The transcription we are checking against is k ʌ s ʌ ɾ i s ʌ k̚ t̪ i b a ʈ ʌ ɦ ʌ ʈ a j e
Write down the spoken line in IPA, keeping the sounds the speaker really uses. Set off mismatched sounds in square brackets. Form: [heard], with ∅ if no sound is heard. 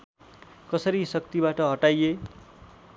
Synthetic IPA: k ʌ s ʌ ɾ i s ʌ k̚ t̪ i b a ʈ ʌ ɦ ʌ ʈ a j e

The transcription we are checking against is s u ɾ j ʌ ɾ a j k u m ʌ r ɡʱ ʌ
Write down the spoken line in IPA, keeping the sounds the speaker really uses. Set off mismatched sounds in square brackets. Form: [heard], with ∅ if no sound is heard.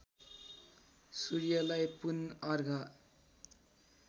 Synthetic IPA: s u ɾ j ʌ [l] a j [p] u [n] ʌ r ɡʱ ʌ

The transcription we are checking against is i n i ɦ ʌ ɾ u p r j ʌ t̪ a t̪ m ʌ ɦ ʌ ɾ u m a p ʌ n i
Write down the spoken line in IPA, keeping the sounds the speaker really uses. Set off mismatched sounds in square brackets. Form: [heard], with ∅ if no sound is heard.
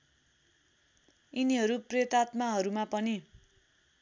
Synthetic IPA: i n i ɦ ʌ ɾ u p r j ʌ t̪ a t̪ m [a] ɦ ʌ ɾ u m a p ʌ n i

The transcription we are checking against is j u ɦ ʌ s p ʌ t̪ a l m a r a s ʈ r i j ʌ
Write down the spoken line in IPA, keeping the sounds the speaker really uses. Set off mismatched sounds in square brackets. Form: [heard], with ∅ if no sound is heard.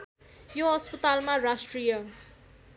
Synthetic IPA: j [o] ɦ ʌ s p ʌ t̪ a l m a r a s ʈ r i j ʌ

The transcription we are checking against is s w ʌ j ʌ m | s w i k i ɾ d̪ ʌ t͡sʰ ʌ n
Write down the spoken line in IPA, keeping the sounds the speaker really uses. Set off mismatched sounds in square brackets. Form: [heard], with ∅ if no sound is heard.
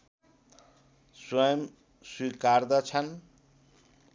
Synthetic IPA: s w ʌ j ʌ m | s w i k [a] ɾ d̪ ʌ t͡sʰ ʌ n

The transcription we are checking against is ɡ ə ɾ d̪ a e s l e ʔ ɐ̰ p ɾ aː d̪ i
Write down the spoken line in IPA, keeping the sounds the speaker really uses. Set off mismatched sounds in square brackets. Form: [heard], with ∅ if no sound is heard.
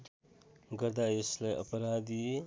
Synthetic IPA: ɡ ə ɾ d̪ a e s l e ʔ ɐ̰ p ɾ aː d̪ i

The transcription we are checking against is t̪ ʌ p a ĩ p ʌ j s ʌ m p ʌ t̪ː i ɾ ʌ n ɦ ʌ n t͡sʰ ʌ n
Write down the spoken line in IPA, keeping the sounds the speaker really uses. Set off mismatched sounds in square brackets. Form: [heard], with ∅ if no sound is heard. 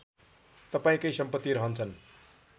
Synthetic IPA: t̪ ʌ p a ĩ [k] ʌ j s ʌ m p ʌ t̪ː i ɾ ʌ [∅] ɦ ʌ n t͡sʰ ʌ n

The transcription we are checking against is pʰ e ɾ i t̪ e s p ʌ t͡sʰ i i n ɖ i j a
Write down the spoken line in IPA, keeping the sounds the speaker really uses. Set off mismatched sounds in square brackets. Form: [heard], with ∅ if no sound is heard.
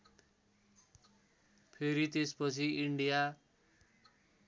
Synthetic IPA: pʰ e ɾ i t̪ e s p ʌ t͡sʰ i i [ɳ] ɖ i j a

